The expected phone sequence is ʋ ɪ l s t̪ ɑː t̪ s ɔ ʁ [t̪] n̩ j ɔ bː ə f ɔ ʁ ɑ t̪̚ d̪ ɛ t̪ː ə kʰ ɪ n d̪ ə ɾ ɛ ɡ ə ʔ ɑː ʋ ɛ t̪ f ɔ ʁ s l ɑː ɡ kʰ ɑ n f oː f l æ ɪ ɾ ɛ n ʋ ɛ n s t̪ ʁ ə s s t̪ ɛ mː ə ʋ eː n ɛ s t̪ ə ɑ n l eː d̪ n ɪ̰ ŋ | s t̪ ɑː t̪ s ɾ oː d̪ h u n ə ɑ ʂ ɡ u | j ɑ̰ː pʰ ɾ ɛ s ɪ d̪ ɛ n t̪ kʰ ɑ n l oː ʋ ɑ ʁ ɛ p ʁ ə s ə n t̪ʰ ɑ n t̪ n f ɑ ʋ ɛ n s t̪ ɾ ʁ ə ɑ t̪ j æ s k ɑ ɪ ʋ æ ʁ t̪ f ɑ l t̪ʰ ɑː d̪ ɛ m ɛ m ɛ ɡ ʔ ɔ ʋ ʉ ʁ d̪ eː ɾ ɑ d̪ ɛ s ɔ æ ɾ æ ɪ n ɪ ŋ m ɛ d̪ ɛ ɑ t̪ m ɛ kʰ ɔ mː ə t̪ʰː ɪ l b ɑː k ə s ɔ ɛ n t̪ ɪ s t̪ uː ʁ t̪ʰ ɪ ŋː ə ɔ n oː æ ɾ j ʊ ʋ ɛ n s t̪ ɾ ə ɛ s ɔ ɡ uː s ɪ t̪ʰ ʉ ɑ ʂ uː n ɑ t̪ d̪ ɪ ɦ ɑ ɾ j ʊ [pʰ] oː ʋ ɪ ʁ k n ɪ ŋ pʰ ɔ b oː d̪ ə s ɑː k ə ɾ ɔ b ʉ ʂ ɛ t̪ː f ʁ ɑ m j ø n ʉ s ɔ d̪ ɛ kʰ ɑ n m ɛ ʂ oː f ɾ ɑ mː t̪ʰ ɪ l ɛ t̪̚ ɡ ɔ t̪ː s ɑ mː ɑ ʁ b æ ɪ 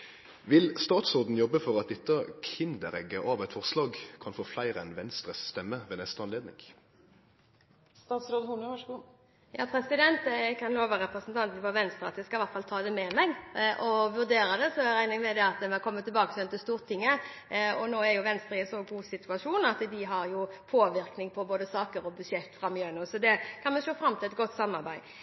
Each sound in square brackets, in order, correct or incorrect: incorrect, correct

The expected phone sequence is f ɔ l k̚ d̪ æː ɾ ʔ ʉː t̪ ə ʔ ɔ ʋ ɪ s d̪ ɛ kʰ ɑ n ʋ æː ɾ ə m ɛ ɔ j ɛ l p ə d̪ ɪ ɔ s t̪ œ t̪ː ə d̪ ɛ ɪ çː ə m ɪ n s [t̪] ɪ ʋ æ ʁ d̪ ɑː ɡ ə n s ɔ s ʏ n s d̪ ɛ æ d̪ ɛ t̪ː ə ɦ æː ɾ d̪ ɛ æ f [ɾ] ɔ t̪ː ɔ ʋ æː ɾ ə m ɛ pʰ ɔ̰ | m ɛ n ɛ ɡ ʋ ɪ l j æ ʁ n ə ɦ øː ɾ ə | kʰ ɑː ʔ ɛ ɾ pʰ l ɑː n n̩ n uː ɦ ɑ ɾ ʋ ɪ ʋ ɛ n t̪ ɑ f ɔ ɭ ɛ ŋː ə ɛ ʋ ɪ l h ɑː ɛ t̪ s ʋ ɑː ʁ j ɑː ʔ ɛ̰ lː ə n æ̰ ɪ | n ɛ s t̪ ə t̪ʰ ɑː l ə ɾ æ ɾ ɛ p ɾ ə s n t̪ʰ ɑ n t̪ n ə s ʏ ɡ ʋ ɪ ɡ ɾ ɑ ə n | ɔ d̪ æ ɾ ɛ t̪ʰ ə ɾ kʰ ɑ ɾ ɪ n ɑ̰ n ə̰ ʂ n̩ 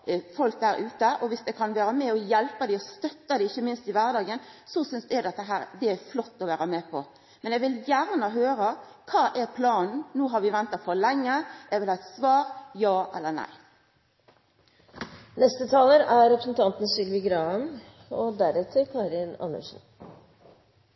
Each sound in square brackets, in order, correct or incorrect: correct, incorrect

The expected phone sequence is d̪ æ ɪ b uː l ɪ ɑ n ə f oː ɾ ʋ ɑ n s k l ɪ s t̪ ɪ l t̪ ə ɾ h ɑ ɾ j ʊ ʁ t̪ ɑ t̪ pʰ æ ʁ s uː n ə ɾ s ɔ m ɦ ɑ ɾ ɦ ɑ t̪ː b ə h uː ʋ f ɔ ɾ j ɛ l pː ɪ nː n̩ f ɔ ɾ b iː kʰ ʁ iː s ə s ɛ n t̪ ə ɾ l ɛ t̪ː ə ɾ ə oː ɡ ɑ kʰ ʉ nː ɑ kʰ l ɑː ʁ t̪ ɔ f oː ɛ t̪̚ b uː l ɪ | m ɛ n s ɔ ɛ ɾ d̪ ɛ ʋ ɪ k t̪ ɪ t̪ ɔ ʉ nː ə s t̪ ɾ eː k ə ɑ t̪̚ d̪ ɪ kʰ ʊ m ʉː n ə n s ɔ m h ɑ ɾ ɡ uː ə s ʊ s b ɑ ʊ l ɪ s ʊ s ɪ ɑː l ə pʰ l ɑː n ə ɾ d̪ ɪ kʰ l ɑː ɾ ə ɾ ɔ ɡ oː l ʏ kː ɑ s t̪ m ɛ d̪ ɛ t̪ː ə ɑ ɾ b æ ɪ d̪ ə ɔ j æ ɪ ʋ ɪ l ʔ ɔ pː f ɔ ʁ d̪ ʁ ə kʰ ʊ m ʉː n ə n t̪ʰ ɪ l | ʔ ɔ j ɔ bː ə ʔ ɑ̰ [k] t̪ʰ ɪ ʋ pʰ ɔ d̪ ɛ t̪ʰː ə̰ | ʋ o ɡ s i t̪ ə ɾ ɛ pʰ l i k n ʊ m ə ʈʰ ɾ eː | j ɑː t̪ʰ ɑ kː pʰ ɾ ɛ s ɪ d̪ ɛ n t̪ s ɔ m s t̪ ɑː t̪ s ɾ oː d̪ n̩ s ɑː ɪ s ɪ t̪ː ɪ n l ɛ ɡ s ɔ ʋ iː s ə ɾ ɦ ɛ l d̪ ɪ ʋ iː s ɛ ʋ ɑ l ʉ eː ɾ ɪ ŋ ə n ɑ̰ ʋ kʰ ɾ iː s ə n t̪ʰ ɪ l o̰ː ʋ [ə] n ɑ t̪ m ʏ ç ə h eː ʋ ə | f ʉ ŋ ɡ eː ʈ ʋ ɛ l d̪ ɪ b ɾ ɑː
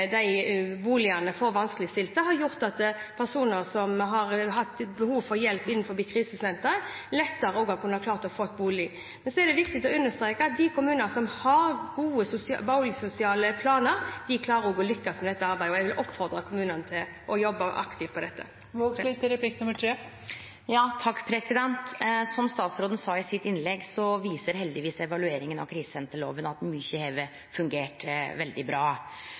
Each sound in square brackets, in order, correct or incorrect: correct, correct

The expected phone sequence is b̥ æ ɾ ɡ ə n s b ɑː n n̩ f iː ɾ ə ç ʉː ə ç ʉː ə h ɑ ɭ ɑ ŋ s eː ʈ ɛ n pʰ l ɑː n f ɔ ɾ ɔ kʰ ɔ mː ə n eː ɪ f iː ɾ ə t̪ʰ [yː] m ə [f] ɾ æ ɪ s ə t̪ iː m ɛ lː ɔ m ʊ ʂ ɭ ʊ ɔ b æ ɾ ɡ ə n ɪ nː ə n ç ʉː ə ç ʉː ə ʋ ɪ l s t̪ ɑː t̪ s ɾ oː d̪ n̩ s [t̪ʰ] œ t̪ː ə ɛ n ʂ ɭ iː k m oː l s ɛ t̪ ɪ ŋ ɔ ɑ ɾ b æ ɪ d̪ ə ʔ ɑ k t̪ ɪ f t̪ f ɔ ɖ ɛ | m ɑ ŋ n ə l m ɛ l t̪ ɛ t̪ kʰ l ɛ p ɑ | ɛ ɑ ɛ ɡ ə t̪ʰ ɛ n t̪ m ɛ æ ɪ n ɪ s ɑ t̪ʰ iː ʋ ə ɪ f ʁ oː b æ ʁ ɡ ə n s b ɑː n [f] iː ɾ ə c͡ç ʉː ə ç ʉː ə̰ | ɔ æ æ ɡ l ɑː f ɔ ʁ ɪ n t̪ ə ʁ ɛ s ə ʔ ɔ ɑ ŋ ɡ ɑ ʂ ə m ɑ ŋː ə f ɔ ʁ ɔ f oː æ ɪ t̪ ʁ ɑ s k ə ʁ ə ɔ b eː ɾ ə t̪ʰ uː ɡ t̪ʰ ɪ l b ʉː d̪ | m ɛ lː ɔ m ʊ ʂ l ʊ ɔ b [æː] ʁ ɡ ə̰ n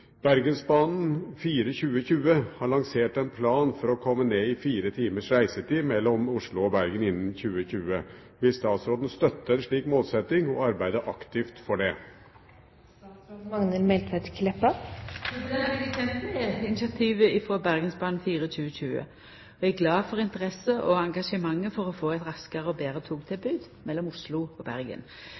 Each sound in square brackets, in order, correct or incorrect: incorrect, incorrect, incorrect, correct, incorrect

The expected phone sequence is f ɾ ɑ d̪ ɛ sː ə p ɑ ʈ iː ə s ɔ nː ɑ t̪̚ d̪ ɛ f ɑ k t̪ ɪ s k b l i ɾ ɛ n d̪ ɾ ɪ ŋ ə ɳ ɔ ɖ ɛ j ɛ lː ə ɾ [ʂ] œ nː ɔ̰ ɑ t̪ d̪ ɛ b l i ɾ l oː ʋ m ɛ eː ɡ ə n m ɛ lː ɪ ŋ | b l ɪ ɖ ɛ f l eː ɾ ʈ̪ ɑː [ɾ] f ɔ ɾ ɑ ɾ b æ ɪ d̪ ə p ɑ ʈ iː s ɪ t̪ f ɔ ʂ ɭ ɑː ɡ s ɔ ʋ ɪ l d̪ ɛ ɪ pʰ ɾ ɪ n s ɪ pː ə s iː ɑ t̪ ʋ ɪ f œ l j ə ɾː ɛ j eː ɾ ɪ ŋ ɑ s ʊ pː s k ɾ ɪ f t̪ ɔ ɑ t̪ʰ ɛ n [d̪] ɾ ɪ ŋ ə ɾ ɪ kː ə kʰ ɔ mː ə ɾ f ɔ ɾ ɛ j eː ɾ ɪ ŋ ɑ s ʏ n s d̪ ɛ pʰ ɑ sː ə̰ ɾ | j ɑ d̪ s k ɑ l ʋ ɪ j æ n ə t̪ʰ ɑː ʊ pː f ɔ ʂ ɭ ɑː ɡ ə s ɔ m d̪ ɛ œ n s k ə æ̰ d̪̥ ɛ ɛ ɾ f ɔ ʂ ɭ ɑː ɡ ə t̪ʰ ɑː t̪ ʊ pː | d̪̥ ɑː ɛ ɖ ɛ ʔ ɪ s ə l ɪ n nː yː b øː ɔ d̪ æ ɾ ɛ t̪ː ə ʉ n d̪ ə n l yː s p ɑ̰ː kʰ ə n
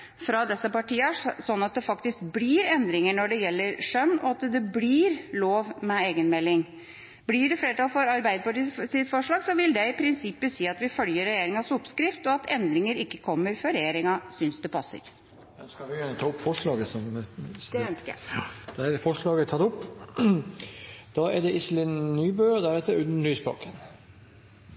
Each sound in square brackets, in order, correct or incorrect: correct, incorrect, correct

